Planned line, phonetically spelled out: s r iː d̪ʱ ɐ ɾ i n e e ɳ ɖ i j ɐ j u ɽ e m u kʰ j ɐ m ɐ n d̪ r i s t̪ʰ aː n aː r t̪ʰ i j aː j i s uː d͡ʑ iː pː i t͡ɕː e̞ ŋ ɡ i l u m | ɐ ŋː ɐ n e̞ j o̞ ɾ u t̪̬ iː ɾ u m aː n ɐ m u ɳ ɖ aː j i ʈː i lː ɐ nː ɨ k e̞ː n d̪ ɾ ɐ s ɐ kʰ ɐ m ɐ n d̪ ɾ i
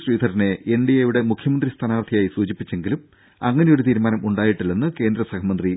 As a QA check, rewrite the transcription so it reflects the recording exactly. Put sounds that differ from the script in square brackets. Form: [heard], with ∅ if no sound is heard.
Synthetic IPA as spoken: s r iː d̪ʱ ɐ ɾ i n e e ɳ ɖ i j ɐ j u ɽ e m u kʰ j ɐ m ɐ n d̪ r i s t̪ʰ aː n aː r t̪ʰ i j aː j i s uː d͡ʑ [i] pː i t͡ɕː e̞ ŋ ɡ i l u m | ɐ ŋː ɐ n e̞ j o̞ ɾ u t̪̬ iː ɾ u m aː n ɐ m u ɳ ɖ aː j i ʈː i lː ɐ nː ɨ k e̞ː n d̪ ɾ ɐ s ɐ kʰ ɐ m ɐ n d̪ [r] i